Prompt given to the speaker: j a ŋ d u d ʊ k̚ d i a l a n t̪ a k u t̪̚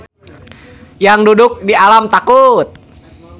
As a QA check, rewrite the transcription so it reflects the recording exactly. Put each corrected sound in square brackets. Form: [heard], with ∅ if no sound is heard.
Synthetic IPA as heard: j a ŋ d u d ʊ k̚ d i a l a [m] t̪ a k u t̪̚